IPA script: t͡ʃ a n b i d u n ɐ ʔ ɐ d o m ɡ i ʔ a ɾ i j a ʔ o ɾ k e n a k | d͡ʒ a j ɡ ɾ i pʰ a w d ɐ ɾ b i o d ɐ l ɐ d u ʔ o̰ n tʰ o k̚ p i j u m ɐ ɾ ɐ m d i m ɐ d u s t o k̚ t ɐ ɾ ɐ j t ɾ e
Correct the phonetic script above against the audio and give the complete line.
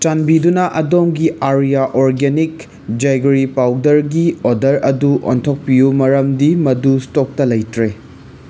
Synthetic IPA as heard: t͡ʃ a n b i d u n ɐ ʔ ɐ d o m ɡ i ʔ a ɾ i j a ʔ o ɾ ɡ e n i k | d͡ʒ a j ɡ ɾ i p a w d ɐ ɾ ɡ i o d ɐ ɾ ɐ d u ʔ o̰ n tʰ o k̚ p i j u m ɐ ɾ ɐ m d i m ɐ d u s t o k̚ t ɐ l ɐ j t ɾ e